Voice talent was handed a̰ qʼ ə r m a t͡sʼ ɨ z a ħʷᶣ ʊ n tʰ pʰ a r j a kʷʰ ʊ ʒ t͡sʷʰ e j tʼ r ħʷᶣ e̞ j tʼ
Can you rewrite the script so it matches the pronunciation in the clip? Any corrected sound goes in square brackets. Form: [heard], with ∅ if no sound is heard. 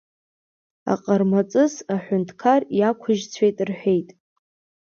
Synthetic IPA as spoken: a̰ qʼ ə r m a t͡sʼ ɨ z a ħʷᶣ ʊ n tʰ [kʰ] a r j a kʷʰ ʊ ʒ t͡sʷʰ e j tʼ r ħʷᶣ e̞ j tʼ